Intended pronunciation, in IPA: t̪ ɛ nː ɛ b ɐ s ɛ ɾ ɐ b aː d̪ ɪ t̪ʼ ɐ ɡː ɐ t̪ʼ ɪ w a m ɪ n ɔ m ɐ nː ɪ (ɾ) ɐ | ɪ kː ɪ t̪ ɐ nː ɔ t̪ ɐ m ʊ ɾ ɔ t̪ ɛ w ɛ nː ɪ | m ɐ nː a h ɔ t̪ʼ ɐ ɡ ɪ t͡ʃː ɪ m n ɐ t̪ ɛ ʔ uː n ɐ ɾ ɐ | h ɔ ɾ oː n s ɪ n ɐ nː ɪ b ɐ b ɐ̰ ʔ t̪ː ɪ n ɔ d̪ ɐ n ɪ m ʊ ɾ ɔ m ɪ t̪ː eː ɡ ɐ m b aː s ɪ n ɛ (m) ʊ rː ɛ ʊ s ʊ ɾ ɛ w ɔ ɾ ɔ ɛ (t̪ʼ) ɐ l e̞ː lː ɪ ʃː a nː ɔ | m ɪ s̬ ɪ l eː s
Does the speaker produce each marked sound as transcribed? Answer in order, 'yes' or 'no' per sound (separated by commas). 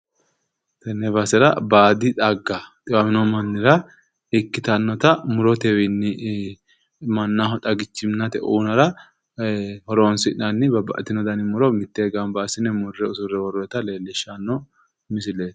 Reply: yes, yes, no